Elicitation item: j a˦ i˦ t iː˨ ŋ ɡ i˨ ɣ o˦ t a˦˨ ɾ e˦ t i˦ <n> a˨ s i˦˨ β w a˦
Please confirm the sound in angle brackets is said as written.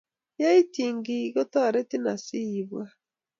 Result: yes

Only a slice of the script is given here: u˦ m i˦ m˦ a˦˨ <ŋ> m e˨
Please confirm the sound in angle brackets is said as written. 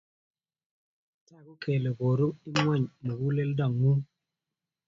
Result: no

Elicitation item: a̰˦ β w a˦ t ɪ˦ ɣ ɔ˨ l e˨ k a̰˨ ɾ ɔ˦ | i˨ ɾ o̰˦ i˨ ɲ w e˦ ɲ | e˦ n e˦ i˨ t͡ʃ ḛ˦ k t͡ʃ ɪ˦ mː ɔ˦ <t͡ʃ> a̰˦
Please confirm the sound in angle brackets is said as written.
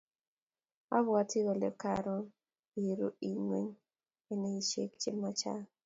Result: yes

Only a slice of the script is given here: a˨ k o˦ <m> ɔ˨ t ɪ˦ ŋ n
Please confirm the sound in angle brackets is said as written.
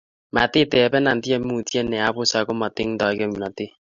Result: yes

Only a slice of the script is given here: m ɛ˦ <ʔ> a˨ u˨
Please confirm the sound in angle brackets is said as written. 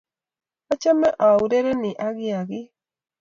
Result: yes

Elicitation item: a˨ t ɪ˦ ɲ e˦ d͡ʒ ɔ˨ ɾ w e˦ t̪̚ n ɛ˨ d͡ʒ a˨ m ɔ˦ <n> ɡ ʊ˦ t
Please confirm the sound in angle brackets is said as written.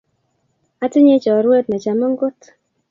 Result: no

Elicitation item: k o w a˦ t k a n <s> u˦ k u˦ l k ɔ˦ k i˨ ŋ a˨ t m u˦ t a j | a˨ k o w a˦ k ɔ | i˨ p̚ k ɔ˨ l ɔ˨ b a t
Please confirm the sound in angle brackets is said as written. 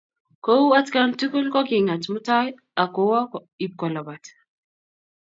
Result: no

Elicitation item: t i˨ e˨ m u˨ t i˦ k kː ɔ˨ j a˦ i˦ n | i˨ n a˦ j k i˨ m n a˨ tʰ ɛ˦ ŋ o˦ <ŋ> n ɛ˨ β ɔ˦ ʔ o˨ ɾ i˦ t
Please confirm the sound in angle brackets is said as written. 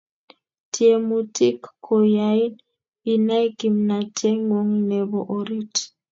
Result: yes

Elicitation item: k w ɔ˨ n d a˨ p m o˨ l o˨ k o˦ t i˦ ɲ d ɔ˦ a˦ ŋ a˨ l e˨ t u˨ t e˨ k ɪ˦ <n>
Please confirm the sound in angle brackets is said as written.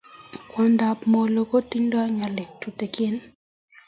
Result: yes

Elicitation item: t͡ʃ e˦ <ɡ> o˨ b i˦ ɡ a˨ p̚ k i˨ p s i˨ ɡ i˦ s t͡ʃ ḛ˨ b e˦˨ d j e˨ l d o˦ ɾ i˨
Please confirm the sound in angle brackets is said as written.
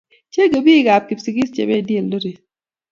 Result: yes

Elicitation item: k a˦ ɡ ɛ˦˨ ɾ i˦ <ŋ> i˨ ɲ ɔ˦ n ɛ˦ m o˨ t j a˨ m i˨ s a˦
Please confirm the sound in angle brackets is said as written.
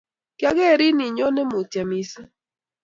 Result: no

